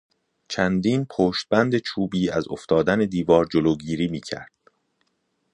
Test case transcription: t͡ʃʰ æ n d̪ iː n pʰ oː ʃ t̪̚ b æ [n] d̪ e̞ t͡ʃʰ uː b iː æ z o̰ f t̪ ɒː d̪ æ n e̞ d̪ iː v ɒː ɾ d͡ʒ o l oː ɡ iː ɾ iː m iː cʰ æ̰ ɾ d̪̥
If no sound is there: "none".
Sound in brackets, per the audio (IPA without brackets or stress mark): n